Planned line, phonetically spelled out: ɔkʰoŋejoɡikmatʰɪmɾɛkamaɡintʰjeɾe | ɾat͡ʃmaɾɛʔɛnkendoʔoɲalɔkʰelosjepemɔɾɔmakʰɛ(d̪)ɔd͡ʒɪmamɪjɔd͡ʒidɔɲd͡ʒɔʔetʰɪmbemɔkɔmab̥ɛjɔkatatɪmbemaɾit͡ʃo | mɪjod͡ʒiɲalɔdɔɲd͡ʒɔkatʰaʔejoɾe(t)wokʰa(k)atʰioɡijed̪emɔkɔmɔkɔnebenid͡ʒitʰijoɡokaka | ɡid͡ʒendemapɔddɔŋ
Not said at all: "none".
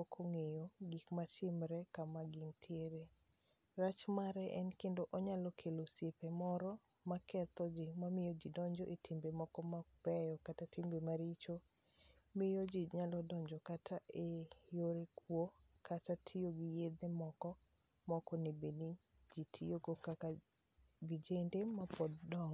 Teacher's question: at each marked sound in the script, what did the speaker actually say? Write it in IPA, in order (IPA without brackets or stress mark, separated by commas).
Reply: t̪, k, t